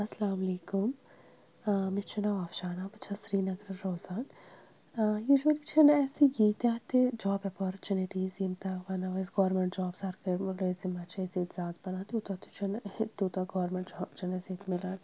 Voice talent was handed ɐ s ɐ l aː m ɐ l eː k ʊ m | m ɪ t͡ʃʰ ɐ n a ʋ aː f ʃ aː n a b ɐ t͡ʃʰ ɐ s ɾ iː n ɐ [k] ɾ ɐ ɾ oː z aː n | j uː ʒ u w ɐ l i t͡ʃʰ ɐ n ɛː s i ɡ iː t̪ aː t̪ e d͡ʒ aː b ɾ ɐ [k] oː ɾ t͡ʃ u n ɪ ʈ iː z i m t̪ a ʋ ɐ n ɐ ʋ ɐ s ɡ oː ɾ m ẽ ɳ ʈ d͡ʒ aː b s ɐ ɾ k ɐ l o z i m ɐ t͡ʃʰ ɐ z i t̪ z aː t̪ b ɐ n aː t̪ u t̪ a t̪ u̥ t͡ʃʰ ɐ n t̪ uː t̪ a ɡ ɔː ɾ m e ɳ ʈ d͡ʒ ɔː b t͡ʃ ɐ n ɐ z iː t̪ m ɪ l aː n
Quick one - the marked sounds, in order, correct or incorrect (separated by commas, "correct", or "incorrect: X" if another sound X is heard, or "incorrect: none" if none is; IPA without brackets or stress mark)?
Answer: incorrect: ɡ, incorrect: p